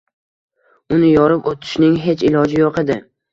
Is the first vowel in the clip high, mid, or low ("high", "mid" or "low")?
high